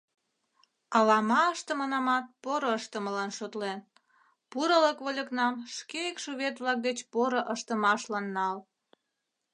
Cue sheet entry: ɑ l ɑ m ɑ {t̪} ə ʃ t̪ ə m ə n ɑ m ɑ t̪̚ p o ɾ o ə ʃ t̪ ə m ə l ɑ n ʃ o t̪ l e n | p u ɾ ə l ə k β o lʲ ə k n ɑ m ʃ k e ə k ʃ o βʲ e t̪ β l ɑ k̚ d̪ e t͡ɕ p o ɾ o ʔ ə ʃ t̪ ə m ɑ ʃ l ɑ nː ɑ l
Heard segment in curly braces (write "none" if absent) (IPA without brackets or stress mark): none